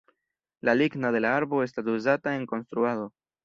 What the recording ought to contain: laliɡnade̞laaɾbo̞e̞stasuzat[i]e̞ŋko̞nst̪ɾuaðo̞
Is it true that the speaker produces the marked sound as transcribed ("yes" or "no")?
no